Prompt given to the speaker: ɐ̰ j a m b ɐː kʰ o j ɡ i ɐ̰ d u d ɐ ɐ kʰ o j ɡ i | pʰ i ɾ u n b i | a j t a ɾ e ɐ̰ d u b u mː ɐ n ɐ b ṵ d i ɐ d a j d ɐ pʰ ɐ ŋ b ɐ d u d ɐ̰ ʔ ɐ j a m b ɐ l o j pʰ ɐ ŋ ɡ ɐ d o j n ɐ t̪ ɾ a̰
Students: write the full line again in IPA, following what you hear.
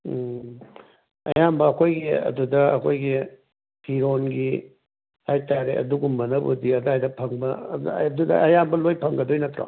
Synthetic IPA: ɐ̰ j a m b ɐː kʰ o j ɡ i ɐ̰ d u d ɐ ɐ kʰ o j ɡ i | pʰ i ɾ o n ɡ i | a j t a ɾ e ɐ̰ d u ɡ u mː ɐ n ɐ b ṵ d i ɐ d a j d ɐ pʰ ɐ ŋ b ɐ d u d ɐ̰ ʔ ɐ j a m b ɐ l o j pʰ ɐ ŋ ɡ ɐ d o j n ɐ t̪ ɾ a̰

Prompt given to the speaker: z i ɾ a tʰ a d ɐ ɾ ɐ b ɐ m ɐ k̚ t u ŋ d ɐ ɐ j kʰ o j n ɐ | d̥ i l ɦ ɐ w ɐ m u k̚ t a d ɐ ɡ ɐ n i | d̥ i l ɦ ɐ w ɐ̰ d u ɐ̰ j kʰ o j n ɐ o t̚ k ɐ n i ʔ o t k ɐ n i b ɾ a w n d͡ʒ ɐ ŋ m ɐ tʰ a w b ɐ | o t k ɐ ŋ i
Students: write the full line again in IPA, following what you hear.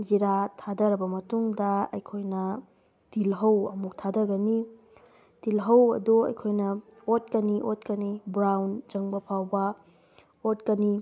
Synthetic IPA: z i ɾ a tʰ a d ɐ ɾ ɐ b ɐ m ɐ t u ŋ d ɐ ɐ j kʰ o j n ɐ | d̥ i l ɦ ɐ w ɐ m u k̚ tʰ a d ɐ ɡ ɐ n i | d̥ i l ɦ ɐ w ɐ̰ d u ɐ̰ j kʰ o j n ɐ o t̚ k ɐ n i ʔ o t k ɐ n i b ɾ a w n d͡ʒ ɐ ŋ b ɐ pʰ a w b ɐ | o t k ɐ n i

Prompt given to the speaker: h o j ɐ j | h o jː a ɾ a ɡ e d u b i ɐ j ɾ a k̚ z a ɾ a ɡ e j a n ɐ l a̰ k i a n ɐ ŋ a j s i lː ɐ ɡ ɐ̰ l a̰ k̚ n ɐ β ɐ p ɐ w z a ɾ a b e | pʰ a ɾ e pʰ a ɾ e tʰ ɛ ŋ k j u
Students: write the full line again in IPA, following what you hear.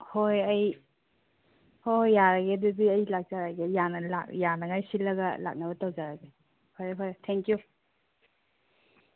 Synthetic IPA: h o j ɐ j | h o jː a ɾ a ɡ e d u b i ɐ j l a k̚ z a ɾ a ɡ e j a n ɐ l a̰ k j a n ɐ ŋ a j s i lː ɐ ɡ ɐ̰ l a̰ k̚ n ɐ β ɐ t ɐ w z a ɾ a ɡ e | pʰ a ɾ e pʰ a ɾ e tʰ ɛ ŋ k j u

